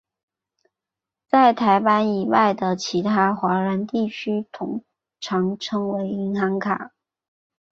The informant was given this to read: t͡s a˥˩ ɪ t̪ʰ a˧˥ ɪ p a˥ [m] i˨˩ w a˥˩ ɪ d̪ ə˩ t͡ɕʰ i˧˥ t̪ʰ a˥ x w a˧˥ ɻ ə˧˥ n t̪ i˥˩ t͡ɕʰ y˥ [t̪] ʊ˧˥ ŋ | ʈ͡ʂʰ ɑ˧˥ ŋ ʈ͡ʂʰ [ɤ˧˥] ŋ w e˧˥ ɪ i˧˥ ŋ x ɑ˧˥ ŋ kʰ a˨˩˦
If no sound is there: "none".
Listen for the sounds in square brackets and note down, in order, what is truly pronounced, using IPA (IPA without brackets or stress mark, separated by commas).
n, t̪ʰ, ɤ˥